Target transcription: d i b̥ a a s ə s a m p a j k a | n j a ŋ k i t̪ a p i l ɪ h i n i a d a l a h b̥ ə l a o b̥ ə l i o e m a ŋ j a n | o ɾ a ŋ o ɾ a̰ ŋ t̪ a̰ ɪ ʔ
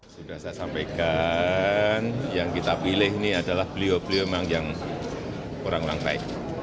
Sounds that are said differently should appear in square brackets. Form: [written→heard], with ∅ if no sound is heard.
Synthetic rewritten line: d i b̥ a a s [ə→a] s a m p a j k a | n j a ŋ k i t̪ a p i l ɪ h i n i a d a l a h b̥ ə l [a→i] o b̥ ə l i o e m a ŋ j a [n→ŋ] | o ɾ a ŋ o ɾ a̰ ŋ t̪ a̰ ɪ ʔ